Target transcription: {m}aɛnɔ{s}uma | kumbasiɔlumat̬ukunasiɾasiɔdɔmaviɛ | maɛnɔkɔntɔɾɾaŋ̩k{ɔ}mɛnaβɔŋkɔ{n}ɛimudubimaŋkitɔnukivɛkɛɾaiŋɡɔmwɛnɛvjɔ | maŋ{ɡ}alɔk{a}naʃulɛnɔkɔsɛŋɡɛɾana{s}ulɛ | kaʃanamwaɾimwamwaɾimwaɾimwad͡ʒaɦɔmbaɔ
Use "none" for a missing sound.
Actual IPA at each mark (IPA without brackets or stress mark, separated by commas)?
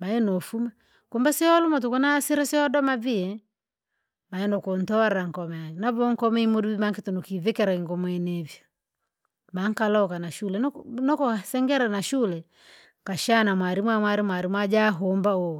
m, f, ɔ, m, k, a, ʃ